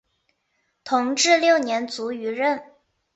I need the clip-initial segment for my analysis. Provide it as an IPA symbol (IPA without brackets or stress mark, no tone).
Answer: t̪ʰ